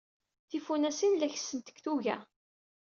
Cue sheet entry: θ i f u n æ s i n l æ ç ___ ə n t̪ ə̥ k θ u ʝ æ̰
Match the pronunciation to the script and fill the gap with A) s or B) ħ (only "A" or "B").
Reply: A